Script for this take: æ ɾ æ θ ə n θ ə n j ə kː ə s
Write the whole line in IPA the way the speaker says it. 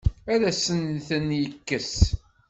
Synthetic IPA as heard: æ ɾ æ s ə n θ ə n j ə kː ə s